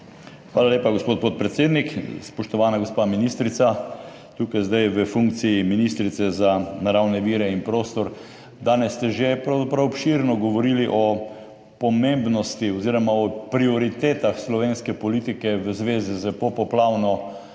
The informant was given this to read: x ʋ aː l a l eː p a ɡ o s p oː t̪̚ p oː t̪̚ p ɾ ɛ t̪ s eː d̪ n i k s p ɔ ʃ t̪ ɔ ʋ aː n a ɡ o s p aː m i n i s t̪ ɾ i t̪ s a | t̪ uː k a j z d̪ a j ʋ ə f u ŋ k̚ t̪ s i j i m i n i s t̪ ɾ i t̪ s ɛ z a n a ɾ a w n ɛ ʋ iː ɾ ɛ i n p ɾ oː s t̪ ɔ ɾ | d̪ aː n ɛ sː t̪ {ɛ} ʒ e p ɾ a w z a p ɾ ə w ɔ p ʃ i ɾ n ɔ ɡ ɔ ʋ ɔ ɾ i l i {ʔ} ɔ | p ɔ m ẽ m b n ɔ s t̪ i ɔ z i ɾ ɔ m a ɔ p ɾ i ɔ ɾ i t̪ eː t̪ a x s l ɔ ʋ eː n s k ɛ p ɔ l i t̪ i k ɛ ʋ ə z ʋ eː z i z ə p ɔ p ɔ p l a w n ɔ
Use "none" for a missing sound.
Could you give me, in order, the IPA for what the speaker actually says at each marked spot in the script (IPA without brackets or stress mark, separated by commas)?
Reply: ɛ, ʔ